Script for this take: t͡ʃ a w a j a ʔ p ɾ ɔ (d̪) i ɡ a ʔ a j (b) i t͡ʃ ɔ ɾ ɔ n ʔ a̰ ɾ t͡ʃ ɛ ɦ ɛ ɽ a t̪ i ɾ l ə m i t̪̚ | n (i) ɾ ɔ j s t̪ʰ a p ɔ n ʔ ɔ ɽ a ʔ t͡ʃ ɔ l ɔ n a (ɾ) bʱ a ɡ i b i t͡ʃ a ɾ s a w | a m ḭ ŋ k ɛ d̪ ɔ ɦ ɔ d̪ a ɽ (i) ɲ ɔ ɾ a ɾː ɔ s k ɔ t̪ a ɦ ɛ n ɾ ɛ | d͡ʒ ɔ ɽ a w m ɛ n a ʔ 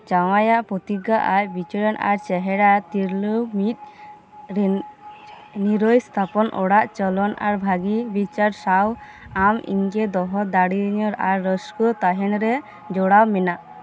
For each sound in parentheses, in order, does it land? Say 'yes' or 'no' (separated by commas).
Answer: no, yes, yes, yes, yes